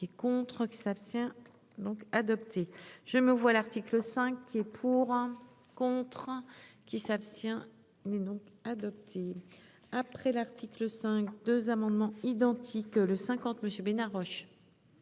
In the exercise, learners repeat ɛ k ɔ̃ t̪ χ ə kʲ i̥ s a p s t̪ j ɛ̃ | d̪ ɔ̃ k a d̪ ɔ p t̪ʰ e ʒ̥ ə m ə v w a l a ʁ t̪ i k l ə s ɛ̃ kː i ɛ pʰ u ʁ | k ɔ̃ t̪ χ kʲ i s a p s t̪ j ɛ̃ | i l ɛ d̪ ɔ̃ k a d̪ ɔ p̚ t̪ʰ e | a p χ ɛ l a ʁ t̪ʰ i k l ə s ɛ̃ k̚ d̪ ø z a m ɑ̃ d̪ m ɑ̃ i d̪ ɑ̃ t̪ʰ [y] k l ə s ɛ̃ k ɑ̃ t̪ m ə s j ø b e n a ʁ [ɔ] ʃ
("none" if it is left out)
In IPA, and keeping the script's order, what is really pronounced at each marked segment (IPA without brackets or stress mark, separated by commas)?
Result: i, ɔ